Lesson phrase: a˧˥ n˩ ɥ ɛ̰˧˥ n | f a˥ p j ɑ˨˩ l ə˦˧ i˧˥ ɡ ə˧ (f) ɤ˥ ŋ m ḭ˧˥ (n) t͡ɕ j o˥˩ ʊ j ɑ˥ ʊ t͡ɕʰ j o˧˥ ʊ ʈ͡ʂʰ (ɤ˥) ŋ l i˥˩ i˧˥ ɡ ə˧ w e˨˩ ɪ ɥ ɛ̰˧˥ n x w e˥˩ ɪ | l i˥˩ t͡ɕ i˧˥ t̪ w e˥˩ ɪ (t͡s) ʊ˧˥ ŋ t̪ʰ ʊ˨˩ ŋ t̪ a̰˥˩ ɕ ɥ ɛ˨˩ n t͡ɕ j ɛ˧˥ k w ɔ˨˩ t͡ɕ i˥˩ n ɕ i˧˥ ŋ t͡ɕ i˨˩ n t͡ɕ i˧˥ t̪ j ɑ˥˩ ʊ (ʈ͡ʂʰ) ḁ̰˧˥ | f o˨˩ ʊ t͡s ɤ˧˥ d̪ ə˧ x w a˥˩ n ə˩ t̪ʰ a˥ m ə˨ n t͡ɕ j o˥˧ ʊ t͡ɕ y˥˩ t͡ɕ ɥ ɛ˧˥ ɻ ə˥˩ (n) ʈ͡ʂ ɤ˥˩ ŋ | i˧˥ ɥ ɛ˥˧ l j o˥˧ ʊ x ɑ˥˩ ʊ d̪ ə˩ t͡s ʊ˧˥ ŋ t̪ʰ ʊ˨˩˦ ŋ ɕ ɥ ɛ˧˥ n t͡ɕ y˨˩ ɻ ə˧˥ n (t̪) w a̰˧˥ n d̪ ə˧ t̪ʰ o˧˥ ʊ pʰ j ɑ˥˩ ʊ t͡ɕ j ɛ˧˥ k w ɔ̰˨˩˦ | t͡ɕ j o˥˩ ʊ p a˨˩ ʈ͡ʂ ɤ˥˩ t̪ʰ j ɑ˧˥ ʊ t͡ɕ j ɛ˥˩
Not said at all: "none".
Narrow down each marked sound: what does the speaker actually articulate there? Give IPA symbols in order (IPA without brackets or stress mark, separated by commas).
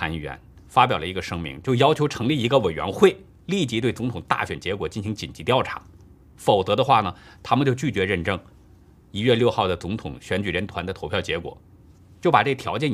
ʂ, ŋ, ɤ˧˥, t͡s, ʈ͡ʂʰ, n, t̪ʰ